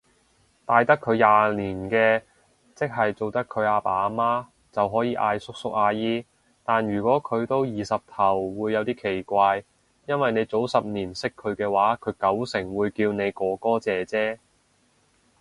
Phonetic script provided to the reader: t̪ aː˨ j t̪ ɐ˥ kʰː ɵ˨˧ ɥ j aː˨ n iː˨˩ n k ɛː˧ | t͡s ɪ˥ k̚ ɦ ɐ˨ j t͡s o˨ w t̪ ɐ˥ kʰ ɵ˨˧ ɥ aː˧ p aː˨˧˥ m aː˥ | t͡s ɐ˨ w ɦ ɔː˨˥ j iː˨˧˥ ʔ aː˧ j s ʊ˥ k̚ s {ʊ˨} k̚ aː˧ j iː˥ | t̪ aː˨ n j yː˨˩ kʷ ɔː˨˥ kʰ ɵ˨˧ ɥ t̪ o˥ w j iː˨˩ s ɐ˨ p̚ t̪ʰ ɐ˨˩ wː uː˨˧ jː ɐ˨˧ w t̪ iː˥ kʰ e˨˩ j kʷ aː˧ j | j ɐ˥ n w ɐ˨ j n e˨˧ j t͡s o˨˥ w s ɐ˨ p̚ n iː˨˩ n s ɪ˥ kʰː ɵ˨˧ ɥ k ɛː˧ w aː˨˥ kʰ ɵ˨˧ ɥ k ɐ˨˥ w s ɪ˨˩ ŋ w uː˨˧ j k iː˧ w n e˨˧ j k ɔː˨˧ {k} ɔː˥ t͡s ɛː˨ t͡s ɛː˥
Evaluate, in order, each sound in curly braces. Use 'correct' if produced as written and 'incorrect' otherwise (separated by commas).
incorrect, correct